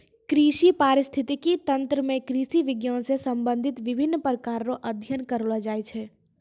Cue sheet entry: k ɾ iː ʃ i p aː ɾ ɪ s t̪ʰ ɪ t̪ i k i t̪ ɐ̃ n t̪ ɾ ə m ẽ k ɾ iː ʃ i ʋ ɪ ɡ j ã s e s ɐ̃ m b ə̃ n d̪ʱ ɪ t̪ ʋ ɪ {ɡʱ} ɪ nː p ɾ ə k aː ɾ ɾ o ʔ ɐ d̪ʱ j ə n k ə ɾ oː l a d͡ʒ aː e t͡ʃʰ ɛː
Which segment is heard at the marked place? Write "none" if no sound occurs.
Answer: bʱ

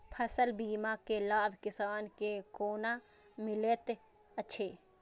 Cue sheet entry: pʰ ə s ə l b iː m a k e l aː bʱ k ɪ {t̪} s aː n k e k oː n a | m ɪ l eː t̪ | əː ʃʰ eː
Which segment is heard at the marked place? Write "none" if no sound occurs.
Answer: none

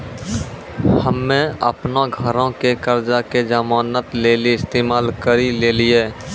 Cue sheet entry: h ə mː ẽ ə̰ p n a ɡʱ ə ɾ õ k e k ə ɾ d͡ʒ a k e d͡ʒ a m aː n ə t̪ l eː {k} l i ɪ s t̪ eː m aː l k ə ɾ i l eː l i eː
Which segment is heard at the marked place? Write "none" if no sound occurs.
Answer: none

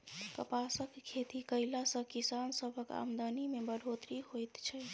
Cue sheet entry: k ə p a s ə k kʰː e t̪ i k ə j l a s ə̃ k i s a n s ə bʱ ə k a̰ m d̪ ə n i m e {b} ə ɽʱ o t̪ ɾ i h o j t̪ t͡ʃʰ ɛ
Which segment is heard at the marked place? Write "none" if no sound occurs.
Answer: b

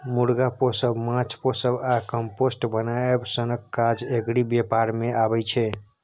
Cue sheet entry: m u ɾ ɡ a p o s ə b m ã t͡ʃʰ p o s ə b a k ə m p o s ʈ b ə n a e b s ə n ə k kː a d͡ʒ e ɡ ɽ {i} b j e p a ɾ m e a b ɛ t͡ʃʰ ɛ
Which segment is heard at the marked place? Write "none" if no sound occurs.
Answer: i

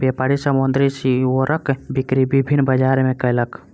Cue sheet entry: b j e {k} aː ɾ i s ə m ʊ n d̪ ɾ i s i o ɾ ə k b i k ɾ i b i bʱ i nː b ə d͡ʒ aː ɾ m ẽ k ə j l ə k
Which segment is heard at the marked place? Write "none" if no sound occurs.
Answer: p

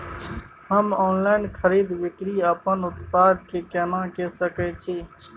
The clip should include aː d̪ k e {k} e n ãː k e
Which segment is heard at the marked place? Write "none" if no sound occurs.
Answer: k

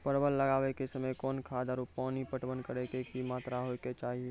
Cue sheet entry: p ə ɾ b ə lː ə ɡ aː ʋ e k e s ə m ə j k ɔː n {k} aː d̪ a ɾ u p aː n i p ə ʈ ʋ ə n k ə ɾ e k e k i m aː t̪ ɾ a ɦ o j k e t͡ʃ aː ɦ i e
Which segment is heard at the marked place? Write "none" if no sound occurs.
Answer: kʰ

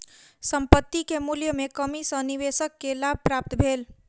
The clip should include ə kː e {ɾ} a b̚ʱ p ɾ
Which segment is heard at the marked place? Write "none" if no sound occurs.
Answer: l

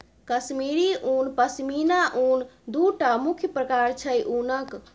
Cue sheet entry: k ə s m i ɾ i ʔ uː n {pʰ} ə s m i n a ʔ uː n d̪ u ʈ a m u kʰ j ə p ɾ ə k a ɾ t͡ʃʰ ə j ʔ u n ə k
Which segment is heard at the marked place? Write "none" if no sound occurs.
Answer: p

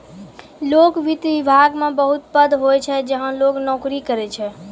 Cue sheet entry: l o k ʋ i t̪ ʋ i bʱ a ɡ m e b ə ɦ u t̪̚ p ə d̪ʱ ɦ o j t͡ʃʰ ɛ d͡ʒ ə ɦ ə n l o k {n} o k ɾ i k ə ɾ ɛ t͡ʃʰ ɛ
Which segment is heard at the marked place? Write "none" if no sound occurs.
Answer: n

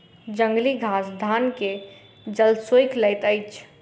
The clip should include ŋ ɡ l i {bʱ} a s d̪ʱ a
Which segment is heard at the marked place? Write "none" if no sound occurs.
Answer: ɡʱ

